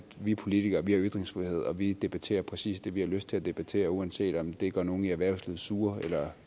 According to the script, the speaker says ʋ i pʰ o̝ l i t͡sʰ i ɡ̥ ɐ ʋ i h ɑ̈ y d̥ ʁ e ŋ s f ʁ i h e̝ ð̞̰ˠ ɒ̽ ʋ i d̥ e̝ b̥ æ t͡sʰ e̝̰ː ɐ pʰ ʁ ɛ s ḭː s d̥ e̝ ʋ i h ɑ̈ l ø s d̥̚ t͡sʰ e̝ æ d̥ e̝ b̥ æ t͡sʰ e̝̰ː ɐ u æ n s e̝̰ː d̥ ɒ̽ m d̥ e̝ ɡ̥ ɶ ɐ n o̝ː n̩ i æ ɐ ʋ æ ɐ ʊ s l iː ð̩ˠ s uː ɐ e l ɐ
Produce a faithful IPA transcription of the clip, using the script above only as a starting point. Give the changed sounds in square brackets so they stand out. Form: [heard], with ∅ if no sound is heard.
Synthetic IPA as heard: ʋ i pʰ o̝ l i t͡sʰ i ɡ̥ ɐ ʋ i h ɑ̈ y d̥ ʁ e ŋ s f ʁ i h e̝ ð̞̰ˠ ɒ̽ ʋ i d̥ e̝ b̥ æ t͡sʰ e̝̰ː ɐ pʰ ʁ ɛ s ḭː s d̥ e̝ ʋ i h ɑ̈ l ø s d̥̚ t͡sʰ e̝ æ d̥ e̝ b̥ æ t͡sʰ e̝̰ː ɐ u æ n s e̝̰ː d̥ ɒ̽ m d̥ e̝ ɡ̥ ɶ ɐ n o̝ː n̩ i æ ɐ ʋ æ ɐ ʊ s l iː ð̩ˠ s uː ɐ e l ɐ